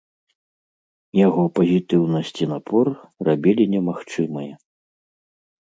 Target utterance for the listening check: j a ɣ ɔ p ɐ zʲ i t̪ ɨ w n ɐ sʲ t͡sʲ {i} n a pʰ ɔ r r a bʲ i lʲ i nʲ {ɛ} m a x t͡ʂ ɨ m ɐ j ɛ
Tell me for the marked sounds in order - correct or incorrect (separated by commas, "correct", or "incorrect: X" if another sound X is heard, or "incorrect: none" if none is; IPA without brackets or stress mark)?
correct, correct